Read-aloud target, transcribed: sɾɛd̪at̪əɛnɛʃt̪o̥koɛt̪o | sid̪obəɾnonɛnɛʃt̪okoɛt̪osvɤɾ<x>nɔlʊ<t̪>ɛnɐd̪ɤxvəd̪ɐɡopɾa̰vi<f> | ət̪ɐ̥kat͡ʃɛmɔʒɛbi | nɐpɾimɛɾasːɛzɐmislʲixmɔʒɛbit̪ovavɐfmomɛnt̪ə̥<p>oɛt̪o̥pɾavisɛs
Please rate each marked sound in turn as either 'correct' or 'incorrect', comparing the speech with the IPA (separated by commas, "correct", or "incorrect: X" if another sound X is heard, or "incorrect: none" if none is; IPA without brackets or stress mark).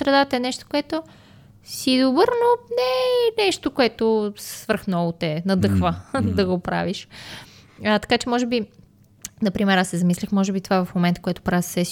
correct, correct, incorrect: ʃ, incorrect: k